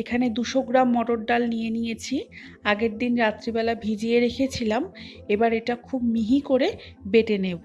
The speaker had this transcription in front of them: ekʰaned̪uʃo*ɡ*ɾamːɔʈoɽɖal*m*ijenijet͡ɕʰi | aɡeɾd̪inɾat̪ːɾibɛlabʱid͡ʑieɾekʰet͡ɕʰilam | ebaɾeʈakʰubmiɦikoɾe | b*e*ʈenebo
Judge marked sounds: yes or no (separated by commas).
yes, no, yes